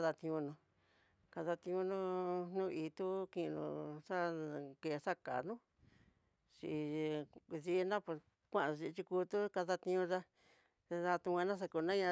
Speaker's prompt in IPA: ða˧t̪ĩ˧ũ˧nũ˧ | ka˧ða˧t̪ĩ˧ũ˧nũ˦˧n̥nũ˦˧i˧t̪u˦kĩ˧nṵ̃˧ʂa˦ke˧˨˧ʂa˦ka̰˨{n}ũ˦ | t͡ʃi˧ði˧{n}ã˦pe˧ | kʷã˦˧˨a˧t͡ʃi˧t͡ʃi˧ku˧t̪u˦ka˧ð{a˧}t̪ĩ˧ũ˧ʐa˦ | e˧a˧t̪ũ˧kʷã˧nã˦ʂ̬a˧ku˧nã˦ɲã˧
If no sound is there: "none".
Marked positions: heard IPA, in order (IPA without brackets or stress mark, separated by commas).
n, n, a˧